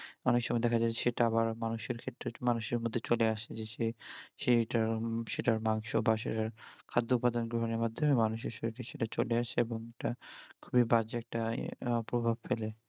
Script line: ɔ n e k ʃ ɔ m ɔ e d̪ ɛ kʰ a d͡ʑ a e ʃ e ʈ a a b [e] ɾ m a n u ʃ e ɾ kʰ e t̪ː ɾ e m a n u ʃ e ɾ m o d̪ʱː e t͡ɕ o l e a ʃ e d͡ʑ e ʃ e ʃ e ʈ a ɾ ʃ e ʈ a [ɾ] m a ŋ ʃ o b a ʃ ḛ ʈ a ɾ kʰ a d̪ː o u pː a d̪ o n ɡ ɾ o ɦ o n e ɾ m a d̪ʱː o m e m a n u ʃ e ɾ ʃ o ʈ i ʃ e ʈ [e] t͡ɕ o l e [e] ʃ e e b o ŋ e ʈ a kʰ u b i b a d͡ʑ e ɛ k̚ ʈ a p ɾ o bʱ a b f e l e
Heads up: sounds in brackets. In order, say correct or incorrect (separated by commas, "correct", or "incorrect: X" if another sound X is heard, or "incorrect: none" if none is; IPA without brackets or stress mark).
incorrect: a, correct, incorrect: a, incorrect: a